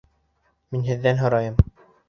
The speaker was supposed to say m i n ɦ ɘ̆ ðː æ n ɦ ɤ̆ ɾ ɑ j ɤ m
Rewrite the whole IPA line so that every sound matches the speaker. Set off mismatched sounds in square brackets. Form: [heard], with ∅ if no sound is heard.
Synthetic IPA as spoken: m i n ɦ ɘ̆ ðː æ n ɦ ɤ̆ ɾ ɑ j ɤ m